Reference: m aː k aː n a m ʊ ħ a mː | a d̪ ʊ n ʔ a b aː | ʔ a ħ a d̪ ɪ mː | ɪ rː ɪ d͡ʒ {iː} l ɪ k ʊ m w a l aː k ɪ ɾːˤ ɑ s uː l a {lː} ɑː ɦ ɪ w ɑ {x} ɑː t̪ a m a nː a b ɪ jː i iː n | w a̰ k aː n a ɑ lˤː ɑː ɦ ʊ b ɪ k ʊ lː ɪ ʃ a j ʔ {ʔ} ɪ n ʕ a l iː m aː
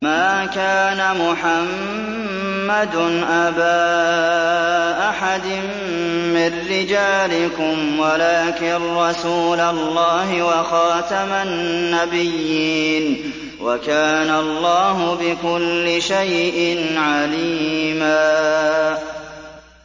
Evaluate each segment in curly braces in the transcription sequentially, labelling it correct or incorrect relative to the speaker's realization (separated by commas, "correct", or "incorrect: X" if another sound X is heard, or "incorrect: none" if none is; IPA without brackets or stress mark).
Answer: incorrect: aː, correct, correct, correct